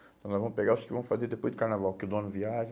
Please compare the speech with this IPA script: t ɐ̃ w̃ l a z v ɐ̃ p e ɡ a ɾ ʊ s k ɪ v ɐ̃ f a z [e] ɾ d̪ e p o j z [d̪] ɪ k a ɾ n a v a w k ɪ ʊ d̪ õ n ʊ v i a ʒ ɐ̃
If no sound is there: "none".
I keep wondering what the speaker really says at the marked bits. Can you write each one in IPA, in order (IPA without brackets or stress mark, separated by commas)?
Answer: e, d̪